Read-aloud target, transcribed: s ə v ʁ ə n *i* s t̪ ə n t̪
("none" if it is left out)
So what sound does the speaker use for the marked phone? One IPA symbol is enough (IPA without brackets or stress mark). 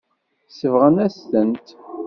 æ